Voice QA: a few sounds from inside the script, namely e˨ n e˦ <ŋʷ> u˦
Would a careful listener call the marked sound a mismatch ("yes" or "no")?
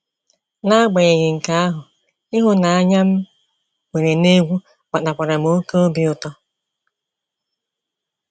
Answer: yes